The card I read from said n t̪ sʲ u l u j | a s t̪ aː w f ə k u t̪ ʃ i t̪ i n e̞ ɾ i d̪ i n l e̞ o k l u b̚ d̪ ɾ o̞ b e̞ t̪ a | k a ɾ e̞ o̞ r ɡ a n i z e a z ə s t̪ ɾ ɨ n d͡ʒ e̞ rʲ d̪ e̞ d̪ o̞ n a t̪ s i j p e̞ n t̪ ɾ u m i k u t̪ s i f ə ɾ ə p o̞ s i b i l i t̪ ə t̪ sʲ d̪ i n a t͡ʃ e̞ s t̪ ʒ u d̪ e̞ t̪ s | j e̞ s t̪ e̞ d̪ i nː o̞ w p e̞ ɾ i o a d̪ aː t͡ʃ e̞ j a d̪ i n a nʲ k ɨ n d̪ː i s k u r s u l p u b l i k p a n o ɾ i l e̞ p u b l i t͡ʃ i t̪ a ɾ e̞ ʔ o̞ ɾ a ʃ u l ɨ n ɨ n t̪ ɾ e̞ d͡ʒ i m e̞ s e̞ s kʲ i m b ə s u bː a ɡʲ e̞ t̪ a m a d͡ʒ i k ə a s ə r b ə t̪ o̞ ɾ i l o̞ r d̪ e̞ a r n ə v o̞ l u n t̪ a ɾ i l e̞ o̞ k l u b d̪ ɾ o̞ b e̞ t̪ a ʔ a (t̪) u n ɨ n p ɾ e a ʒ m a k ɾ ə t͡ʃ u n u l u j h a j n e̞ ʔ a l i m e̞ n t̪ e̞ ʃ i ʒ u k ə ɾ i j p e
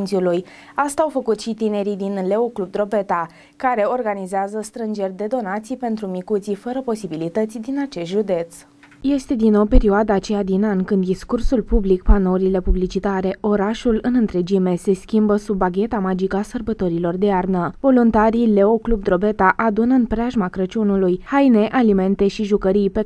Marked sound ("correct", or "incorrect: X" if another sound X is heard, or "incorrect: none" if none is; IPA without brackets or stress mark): incorrect: d̪